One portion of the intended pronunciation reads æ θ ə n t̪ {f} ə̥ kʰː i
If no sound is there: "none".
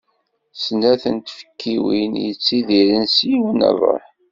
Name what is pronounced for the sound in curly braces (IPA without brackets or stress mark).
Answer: f